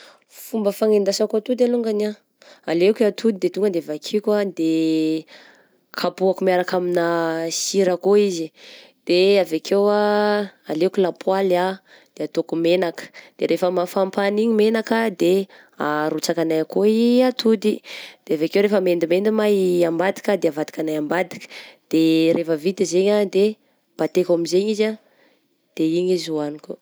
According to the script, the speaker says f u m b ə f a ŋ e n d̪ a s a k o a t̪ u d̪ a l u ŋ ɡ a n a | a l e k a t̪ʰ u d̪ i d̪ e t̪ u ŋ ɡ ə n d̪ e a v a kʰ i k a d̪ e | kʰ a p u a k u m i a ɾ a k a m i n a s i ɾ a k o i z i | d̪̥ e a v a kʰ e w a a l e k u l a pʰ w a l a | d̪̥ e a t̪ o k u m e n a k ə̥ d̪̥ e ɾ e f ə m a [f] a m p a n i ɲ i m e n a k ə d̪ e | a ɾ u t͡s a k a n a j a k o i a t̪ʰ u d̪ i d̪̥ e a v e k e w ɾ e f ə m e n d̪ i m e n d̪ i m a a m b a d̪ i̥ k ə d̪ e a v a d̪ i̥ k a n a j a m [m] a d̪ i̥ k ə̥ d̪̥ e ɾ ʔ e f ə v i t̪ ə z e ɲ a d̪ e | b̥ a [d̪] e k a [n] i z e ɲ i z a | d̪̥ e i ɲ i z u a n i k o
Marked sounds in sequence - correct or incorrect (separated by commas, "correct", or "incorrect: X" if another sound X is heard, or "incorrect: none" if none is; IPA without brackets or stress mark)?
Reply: correct, incorrect: b, incorrect: t̪, incorrect: m